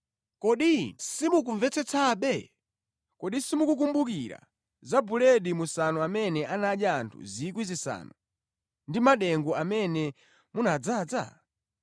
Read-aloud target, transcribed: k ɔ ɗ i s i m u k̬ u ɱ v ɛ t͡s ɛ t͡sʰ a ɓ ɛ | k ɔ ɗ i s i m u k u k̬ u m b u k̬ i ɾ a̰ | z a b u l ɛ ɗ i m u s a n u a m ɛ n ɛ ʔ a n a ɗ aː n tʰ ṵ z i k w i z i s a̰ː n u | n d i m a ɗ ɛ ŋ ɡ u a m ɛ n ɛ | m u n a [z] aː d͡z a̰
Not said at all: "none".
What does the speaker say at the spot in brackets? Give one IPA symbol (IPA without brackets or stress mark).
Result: d͡z